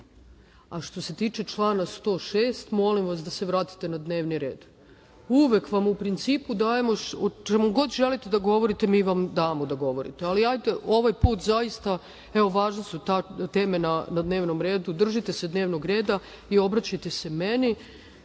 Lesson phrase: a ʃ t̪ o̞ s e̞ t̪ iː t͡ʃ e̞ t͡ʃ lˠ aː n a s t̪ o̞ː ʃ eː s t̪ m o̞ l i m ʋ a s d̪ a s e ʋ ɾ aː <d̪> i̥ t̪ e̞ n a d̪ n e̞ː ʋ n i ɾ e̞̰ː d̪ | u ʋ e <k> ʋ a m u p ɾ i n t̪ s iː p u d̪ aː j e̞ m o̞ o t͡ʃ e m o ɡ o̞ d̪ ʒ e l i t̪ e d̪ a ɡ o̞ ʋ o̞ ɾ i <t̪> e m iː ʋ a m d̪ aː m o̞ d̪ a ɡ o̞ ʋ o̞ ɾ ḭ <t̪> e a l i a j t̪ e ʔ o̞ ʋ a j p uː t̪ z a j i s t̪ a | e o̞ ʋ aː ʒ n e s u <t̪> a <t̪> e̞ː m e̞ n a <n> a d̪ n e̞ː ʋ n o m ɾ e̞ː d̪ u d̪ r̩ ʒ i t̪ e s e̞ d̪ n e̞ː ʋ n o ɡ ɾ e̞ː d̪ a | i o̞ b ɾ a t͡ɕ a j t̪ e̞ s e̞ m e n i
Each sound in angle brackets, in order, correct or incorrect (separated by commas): incorrect, correct, correct, correct, correct, correct, correct